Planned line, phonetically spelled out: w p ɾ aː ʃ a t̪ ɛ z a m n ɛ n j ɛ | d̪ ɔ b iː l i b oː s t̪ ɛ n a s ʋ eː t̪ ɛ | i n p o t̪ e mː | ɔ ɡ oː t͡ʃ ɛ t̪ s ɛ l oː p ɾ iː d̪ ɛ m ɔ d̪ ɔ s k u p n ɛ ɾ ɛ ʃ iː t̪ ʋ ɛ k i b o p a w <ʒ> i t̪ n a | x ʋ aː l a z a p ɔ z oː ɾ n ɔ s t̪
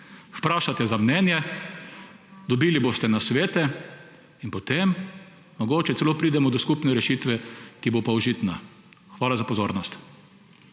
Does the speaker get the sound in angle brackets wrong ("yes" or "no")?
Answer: no